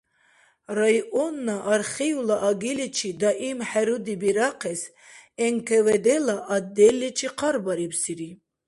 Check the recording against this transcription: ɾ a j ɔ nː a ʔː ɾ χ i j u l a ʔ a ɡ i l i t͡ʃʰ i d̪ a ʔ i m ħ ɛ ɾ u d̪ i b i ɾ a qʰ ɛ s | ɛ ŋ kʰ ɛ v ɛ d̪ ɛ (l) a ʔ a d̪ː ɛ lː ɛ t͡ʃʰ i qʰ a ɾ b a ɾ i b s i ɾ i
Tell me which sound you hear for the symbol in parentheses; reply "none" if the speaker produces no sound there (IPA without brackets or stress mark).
l